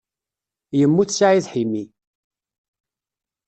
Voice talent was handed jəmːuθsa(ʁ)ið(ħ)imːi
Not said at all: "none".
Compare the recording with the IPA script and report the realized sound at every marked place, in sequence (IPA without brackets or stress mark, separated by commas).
ʕ, ħ